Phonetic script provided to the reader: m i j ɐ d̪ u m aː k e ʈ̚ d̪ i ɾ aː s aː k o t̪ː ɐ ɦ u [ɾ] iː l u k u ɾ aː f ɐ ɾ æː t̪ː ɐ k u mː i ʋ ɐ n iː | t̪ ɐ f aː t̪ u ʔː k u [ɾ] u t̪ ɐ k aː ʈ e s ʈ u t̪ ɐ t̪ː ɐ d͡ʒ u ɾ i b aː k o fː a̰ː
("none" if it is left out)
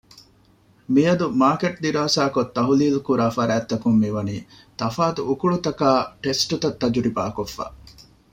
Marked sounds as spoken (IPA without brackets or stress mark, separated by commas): l, ɭ